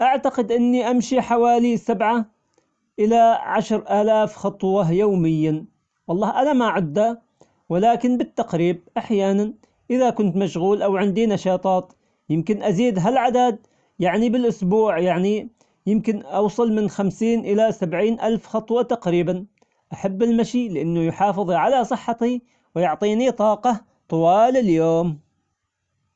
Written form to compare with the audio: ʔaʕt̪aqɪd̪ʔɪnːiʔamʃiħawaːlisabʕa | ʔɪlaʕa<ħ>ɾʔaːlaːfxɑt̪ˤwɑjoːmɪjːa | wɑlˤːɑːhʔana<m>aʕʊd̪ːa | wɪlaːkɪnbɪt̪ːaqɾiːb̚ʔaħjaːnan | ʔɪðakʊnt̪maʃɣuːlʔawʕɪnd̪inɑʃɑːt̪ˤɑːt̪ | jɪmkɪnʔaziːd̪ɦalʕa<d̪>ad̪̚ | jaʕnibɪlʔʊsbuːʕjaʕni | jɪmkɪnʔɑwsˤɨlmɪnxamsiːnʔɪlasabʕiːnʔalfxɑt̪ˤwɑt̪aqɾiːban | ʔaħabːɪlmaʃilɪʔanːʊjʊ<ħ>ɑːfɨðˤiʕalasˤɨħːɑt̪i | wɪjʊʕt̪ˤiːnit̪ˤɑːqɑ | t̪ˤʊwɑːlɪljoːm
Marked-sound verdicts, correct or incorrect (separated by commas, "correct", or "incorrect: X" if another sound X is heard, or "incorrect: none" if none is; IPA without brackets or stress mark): incorrect: ʃ, correct, correct, correct